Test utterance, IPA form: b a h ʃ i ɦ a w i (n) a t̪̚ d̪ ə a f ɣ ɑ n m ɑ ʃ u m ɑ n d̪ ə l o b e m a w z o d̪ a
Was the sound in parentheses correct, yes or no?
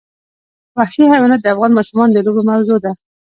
yes